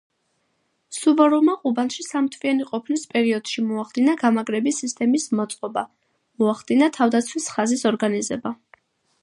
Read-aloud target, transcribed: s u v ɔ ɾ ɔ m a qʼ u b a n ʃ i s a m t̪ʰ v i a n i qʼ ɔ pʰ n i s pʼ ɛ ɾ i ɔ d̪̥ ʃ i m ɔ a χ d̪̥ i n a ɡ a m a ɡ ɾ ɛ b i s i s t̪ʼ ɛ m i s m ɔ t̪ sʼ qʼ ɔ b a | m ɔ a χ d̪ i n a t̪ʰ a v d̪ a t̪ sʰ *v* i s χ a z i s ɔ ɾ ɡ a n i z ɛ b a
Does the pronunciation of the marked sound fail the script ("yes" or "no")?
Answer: yes